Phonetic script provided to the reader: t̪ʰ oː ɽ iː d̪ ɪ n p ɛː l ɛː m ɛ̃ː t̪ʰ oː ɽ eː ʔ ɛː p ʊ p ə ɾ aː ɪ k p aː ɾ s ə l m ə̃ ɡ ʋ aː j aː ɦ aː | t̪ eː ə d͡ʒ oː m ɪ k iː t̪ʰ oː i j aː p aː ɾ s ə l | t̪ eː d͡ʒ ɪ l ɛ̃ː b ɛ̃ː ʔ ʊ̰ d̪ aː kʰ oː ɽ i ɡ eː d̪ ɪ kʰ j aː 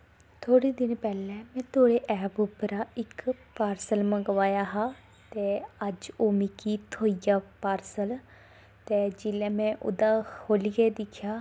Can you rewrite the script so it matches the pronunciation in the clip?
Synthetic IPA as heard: t̪ʰ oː ɽ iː d̪ ɪ n p ɛː l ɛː m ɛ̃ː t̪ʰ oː ɽ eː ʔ ɛː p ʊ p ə ɾ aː ɪ k p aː ɾ s ə l m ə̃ ɡ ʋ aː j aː ɦ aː | t̪ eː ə d͡ʒ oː m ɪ k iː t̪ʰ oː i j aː p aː ɾ s ə l | t̪ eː d͡ʒ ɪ l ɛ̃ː m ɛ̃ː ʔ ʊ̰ d̪ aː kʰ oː l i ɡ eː d̪ ɪ kʰ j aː